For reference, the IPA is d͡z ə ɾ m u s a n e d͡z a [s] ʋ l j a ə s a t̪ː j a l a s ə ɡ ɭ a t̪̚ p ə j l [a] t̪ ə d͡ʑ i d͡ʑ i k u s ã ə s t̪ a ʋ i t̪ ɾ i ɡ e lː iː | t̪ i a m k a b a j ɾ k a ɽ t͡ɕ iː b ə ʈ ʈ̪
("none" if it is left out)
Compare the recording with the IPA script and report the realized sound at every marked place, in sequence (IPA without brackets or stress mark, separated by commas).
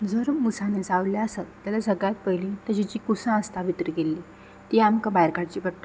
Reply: none, i